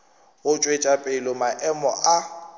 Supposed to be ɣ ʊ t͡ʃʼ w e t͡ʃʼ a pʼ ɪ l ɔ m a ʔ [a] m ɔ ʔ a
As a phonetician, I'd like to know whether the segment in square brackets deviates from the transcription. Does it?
yes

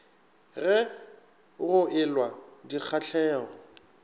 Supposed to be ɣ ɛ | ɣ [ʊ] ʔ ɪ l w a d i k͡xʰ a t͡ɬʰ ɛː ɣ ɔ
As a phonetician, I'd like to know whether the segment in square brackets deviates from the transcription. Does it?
no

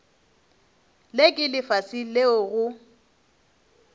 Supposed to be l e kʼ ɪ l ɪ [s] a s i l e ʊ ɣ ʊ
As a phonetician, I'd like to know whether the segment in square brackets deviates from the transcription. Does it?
yes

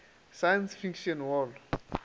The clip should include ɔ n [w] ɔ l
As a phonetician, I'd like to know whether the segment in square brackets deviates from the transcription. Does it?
no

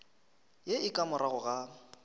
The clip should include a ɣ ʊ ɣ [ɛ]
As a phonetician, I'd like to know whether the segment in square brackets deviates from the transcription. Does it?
yes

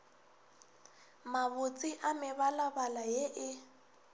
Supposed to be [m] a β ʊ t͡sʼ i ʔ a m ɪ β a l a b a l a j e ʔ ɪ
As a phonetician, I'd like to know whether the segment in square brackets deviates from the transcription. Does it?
no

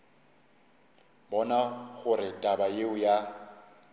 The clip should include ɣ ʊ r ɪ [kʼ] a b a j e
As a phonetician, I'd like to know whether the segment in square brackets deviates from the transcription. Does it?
yes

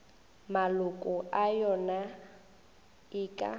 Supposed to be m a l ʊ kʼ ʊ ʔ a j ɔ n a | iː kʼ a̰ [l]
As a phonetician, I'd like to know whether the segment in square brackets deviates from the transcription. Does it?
yes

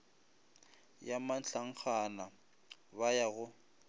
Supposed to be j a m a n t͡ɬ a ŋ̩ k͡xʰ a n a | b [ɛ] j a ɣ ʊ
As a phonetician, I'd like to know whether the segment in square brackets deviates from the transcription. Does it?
yes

